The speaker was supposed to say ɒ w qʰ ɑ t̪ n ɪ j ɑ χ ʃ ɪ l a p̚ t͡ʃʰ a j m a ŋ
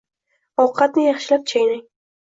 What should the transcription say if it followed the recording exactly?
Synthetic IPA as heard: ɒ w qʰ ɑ t̪ n ɪ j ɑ χ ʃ ɪ l a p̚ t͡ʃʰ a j n a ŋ